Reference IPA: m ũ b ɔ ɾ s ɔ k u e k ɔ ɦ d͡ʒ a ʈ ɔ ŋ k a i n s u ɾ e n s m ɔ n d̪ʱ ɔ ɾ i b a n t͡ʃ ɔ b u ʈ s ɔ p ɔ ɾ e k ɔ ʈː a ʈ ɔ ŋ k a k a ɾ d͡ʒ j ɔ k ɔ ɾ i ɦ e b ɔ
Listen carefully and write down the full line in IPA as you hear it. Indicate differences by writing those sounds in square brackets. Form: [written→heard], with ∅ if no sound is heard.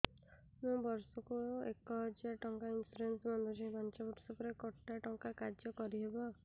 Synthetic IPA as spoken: m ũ b ɔ ɾ s ɔ k u e k ɔ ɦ d͡ʒ a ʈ ɔ ŋ k a i n s u ɾ e n s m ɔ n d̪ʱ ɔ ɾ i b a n t͡ʃ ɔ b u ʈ s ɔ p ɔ ɾ e k ɔ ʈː a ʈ ɔ ŋ k a k a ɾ d͡ʒ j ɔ k ɔ ɾ i ɦ e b ɔ